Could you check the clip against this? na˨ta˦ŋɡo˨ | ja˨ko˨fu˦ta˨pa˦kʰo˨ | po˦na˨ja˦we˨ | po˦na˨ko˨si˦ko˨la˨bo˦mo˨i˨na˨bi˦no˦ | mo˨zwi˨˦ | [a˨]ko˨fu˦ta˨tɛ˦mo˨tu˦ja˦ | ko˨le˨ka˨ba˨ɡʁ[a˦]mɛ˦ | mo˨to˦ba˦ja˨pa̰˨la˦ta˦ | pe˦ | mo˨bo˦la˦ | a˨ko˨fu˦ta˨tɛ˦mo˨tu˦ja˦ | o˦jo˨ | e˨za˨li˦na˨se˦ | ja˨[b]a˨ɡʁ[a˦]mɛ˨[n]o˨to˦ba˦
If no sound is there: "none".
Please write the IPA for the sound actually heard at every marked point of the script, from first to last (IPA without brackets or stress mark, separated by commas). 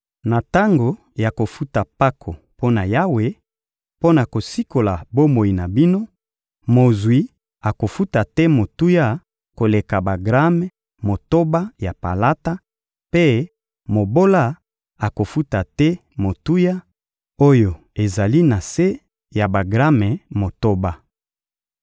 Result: a˨, a˦, b, a˦, m